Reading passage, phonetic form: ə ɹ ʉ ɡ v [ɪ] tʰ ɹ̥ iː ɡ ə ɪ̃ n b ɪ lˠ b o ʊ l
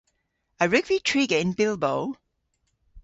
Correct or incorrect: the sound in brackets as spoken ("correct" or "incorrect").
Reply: incorrect